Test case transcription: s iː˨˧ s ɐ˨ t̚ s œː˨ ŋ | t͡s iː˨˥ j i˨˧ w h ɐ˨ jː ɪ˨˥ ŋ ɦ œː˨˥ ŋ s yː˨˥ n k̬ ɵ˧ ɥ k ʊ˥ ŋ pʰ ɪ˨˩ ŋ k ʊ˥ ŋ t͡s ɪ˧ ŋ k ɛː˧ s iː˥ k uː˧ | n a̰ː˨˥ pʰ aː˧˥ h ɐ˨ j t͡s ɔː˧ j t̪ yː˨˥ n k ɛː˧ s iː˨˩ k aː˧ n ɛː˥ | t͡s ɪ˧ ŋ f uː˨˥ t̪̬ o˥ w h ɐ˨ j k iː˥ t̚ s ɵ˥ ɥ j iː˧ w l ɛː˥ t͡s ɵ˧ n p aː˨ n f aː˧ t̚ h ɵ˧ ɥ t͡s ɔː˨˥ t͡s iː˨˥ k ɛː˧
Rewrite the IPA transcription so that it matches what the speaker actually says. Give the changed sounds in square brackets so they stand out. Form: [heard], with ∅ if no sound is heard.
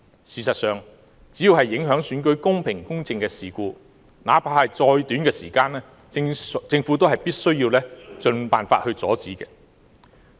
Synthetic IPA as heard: s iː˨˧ s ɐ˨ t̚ s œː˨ ŋ | t͡s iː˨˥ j i˨˧ w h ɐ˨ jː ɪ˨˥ ŋ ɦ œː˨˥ ŋ s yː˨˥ n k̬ [ɵ˨˥] ɥ k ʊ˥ ŋ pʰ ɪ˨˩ ŋ k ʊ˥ ŋ t͡s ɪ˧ ŋ k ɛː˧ s [iː˨] k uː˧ | n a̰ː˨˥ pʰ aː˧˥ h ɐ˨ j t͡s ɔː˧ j t̪ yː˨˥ n k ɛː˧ s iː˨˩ k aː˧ n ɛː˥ | t͡s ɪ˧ ŋ f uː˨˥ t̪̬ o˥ w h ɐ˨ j [p] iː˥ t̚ s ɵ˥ ɥ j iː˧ w l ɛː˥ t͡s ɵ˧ n p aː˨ n f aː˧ t̚ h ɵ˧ ɥ t͡s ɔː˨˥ t͡s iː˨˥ k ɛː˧